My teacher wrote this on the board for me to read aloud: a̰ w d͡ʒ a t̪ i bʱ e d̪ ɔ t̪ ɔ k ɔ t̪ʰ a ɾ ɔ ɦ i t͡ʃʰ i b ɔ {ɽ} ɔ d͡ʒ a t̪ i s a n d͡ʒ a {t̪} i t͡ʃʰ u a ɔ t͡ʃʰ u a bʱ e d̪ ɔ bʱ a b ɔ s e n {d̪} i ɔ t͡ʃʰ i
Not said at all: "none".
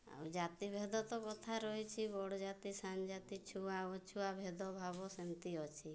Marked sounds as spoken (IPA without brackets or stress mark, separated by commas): ɽ, t̪, t̪